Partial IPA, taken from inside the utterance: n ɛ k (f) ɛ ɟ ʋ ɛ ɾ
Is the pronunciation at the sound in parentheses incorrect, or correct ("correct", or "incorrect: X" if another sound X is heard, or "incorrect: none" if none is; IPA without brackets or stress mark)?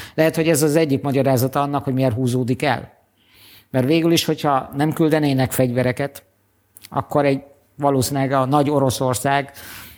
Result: correct